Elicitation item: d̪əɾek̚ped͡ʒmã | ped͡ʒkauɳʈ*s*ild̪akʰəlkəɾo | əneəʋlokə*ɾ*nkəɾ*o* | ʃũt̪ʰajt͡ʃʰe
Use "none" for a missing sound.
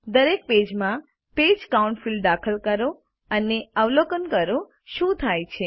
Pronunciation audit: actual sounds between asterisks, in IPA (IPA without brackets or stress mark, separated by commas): f, none, o